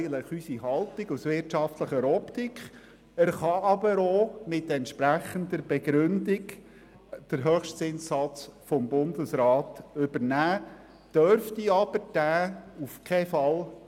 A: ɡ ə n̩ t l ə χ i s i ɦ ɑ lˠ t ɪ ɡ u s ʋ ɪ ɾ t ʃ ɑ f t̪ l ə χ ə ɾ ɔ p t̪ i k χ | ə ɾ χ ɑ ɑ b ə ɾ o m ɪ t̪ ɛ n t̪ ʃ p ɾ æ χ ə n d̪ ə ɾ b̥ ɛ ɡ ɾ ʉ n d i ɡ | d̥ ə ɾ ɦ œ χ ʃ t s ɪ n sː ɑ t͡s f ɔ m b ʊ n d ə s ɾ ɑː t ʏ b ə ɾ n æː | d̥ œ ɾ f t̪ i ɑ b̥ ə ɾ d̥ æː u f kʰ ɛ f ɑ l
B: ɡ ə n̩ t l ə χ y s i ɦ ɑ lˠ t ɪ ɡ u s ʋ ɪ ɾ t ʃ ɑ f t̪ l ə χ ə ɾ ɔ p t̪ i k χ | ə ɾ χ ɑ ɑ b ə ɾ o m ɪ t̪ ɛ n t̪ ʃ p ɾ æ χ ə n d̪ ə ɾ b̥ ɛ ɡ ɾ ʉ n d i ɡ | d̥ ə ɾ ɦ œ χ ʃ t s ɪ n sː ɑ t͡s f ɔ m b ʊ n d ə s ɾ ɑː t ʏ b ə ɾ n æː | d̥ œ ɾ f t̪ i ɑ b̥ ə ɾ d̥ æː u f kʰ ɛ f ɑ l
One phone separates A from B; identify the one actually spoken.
B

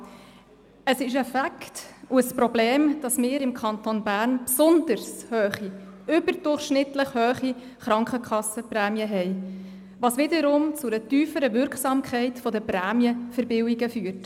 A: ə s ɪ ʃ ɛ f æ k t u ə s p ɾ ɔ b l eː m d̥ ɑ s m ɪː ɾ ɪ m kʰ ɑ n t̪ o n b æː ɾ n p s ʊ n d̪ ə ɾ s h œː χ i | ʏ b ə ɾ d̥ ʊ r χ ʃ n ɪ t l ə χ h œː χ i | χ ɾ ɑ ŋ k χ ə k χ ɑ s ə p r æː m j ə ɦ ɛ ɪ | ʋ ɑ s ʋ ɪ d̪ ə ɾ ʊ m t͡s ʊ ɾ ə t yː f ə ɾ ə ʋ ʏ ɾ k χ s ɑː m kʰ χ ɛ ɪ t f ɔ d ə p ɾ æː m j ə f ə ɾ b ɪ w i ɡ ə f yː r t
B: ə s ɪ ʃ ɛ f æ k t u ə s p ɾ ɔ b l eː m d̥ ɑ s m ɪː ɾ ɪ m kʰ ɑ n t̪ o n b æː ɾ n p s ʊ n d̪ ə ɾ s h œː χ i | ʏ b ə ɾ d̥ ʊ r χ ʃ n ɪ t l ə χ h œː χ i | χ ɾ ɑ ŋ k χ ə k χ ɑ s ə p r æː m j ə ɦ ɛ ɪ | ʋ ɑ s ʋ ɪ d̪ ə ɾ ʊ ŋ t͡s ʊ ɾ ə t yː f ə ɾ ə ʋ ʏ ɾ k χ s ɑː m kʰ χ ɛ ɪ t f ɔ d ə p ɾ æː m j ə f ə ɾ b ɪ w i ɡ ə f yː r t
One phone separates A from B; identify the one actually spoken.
A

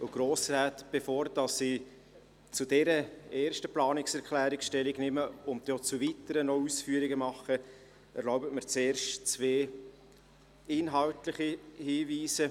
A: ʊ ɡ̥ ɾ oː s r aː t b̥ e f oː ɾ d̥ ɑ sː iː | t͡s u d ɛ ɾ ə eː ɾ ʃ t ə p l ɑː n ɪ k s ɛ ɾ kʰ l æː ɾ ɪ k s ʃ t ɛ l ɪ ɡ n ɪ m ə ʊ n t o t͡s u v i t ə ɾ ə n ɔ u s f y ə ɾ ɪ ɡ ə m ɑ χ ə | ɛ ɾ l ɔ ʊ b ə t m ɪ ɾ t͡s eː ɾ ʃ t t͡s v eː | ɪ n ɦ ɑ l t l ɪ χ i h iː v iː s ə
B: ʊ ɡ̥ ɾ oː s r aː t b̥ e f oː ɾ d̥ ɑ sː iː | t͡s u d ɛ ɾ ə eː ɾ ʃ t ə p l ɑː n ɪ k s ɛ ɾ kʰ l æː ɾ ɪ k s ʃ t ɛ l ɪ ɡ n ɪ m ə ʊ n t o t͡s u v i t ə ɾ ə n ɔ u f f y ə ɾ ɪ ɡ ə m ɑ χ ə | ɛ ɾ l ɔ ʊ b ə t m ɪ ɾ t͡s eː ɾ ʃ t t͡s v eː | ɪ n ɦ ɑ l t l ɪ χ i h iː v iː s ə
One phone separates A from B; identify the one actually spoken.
A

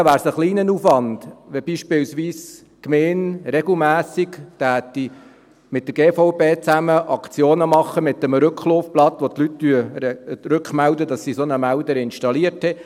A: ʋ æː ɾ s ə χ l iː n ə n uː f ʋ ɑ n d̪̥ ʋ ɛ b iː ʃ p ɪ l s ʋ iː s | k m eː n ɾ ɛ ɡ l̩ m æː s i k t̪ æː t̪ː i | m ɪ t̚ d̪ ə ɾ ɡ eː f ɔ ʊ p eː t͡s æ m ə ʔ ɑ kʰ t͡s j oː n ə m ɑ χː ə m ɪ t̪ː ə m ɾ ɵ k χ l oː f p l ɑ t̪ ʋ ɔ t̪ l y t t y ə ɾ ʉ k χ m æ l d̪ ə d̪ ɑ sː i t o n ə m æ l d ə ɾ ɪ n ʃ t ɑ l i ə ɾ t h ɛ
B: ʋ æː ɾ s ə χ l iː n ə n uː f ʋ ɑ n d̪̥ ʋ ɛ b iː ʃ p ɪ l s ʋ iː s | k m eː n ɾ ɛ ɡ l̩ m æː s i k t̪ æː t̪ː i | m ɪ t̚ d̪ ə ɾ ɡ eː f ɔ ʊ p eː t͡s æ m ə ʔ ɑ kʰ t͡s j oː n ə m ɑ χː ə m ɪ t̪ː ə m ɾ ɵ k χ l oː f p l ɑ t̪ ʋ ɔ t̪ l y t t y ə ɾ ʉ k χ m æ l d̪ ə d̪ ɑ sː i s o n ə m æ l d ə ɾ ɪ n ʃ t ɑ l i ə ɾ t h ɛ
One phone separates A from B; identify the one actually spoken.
B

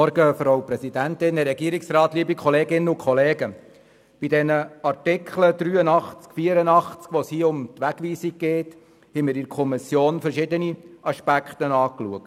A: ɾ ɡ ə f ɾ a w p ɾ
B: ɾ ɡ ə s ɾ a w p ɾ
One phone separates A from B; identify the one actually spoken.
A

